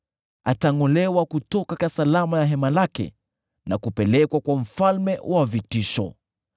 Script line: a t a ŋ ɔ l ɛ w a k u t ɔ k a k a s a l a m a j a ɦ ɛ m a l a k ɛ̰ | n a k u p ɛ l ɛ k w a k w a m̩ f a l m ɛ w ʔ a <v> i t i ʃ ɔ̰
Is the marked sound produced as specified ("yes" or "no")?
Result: yes